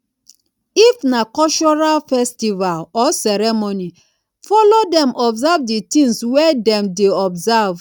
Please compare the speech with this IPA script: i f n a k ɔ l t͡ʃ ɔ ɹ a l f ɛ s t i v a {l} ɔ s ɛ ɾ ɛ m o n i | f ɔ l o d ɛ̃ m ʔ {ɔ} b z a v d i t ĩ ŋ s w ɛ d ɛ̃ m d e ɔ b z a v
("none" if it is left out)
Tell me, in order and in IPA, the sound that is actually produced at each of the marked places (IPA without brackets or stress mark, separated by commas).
l, ɔ